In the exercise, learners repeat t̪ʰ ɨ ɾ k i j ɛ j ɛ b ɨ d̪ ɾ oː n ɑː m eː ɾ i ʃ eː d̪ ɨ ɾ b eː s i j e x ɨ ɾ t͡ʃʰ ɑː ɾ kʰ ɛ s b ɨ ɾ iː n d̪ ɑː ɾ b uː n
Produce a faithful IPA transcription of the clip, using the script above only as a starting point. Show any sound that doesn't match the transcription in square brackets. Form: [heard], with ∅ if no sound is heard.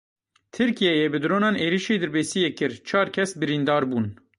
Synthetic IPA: t̪ʰ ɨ ɾ k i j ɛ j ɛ b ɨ d̪ ɾ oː n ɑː [n] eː ɾ i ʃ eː d̪ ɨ ɾ b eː s i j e [k] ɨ ɾ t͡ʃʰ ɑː ɾ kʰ ɛ s b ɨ ɾ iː n d̪ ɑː ɾ b uː n